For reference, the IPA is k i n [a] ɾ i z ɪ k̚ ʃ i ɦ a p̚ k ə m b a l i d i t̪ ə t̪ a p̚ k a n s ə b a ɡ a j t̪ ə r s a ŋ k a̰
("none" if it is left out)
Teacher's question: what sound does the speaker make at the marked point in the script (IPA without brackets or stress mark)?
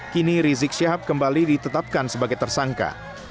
i